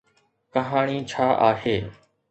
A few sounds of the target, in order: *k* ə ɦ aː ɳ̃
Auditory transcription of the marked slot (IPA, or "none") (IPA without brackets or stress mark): k